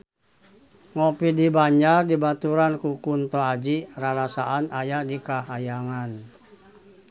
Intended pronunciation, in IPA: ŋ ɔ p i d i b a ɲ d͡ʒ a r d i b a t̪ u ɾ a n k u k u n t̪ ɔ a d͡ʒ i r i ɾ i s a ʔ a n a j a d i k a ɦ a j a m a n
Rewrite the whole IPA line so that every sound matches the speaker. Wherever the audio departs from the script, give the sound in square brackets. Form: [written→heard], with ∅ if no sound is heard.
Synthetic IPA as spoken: ŋ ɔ p i d i b a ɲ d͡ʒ a r d i b a t̪ u ɾ a n k u k u n t̪ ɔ a d͡ʒ i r [i→a] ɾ [i→a] s a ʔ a n a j a d i k a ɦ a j a [m→ŋ] a n